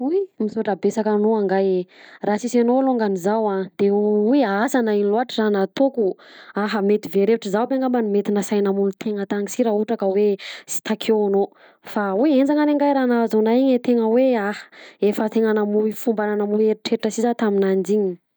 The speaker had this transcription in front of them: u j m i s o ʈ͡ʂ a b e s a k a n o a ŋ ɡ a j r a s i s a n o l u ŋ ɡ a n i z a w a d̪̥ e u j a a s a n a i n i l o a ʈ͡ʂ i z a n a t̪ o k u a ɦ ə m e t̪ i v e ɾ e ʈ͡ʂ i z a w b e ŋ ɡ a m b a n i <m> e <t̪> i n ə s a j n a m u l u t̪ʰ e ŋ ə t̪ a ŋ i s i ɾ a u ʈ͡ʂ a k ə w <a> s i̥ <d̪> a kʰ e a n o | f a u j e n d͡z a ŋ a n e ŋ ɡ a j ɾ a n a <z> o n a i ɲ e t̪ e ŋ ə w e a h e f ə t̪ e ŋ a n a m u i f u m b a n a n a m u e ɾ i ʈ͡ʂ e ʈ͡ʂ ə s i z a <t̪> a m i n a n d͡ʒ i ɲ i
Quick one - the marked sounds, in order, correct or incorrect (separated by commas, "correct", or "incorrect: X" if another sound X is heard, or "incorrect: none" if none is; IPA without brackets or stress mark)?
correct, correct, incorrect: e, incorrect: t̪, correct, correct